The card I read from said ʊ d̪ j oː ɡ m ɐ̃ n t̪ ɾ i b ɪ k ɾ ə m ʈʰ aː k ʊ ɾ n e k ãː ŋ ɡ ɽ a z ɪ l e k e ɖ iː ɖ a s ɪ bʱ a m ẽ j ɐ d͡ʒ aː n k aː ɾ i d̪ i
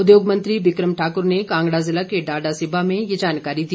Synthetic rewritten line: ʊ d̪ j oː ɡ m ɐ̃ n t̪ ɾ i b ɪ k ɾ ə m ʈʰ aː k ʊ ɾ n e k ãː ŋ ɡ ɽ a z ɪ l a k e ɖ aː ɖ a s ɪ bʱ a m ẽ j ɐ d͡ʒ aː n k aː ɾ i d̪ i